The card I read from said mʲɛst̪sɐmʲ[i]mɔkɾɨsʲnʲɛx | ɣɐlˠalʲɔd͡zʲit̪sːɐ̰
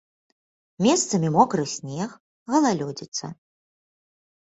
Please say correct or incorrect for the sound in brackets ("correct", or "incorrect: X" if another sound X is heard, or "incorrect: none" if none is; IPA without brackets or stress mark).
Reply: correct